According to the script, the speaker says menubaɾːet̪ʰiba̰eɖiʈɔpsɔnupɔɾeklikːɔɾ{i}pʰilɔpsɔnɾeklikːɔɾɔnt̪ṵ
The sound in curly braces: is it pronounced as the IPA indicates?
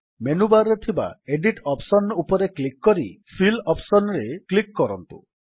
yes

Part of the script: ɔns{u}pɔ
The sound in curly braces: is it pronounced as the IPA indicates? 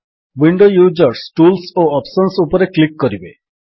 yes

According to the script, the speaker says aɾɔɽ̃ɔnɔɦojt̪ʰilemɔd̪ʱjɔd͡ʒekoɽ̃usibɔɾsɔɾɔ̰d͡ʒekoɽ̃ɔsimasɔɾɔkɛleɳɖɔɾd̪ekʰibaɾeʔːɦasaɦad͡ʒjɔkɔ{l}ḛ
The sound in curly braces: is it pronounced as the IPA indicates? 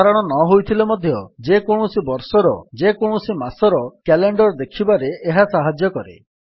no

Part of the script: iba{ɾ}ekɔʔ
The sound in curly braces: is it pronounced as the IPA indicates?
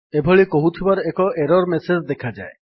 yes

